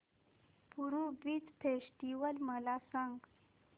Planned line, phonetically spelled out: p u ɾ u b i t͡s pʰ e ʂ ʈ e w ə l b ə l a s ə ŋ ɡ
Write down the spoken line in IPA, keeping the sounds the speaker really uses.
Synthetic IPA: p u ɾ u b i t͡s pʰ e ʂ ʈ i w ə l m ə l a s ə ŋ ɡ